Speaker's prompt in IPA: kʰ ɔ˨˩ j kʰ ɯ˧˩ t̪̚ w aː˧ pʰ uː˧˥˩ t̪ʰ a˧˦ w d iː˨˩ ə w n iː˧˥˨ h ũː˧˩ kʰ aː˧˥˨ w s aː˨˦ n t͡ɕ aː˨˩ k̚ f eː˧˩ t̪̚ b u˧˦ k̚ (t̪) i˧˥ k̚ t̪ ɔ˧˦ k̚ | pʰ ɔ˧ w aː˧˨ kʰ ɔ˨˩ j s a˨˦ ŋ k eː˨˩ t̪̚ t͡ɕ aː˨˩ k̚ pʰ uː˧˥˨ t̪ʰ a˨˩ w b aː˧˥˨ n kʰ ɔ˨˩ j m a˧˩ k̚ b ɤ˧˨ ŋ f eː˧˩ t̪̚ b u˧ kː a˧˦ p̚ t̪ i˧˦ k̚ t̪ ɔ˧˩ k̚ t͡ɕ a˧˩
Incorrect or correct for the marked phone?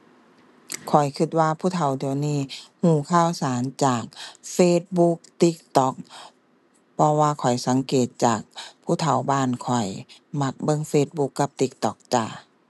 correct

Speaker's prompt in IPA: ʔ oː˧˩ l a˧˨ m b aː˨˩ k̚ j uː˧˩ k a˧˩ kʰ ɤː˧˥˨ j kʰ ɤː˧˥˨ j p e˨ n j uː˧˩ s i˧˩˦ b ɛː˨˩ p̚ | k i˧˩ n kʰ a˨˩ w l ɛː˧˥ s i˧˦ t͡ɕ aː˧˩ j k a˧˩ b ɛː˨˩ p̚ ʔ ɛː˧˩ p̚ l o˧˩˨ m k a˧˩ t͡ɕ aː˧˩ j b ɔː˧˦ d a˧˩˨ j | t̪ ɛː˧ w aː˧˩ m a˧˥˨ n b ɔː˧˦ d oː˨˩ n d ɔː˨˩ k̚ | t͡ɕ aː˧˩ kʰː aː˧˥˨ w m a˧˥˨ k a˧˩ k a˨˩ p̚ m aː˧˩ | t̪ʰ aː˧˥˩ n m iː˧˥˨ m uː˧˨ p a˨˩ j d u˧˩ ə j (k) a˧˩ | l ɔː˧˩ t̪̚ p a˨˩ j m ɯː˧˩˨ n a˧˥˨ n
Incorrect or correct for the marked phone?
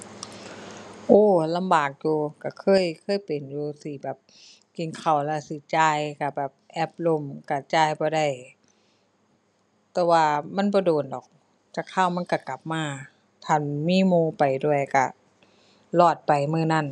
correct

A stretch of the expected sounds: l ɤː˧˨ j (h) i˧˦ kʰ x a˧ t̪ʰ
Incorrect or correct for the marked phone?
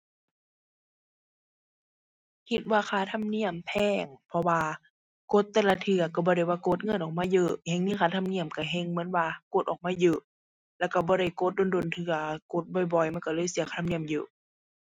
incorrect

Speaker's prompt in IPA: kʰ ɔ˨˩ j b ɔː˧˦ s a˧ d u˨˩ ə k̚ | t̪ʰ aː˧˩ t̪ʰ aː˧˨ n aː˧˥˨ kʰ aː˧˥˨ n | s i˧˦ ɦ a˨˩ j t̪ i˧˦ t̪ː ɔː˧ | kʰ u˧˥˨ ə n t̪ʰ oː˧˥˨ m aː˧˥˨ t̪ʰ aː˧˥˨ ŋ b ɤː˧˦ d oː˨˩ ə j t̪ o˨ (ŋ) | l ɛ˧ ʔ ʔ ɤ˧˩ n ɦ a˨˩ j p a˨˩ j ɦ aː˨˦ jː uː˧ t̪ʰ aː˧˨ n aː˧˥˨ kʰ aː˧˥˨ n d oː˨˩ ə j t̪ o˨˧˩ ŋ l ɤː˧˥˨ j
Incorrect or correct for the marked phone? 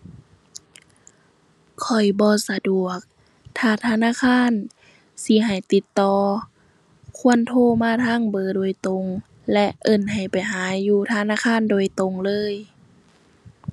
correct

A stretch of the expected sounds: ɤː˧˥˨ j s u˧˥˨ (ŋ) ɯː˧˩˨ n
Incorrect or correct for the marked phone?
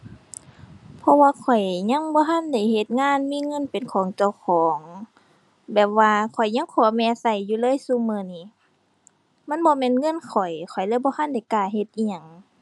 incorrect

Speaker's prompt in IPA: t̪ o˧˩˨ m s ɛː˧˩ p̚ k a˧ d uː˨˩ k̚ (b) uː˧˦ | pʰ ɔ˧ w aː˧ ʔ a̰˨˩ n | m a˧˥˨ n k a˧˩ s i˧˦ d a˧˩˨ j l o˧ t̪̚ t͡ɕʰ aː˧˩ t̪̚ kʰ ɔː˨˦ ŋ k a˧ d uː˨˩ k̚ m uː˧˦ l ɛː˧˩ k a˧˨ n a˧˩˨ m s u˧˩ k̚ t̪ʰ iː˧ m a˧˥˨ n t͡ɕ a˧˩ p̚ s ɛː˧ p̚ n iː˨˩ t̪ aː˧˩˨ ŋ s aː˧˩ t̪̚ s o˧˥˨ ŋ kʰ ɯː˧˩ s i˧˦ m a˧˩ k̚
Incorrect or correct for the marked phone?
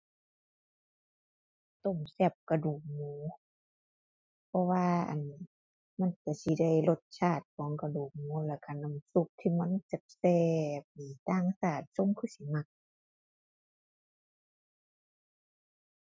incorrect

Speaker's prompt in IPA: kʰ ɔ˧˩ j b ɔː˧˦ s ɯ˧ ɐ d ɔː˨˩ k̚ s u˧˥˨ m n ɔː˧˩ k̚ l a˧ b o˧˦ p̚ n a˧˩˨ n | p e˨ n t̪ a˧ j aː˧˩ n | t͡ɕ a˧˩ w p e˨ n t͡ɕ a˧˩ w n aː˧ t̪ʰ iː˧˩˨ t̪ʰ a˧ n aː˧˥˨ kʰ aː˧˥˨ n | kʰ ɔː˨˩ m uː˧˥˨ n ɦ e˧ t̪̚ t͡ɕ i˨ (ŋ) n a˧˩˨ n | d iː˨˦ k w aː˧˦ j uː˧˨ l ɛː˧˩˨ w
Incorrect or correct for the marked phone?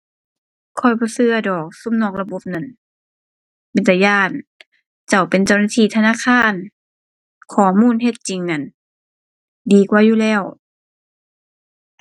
correct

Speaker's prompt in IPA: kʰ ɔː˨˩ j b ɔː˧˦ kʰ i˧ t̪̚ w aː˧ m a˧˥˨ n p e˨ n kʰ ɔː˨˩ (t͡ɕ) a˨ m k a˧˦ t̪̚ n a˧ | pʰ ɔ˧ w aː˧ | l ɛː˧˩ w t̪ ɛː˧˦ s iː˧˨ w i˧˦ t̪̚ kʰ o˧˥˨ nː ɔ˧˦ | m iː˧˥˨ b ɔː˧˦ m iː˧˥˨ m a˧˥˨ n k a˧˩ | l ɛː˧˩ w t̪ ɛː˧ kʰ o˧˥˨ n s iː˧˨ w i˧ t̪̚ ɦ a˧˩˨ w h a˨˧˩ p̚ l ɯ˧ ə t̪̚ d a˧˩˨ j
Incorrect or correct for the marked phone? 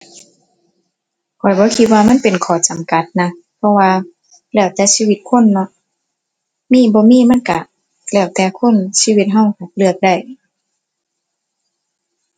correct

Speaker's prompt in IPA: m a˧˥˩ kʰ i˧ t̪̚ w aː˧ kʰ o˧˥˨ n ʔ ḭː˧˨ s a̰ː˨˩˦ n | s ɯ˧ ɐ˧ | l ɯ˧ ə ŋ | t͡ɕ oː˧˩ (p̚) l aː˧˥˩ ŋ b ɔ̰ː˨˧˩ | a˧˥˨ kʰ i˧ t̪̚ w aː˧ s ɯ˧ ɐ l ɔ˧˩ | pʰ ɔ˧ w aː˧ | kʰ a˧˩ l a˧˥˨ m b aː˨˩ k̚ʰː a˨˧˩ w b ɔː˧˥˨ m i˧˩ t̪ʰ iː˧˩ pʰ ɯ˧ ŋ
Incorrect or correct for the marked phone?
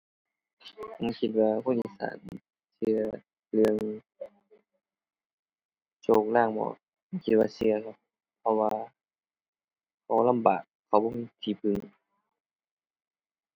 incorrect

